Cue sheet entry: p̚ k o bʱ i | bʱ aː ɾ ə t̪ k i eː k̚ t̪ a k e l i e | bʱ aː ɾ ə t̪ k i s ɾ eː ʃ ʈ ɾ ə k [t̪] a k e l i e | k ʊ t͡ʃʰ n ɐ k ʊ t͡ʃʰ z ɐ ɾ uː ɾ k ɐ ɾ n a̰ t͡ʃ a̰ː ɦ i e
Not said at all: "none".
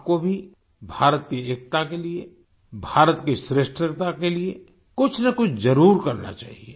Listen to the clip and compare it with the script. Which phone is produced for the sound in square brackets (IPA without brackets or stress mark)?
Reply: t̪